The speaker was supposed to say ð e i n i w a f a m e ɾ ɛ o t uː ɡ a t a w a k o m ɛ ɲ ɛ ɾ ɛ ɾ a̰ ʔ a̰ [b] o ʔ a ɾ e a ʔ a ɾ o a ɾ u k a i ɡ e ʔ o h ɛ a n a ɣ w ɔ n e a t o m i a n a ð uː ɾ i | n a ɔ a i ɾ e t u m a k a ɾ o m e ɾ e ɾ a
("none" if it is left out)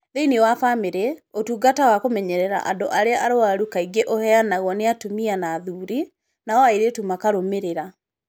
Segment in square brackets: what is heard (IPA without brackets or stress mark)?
d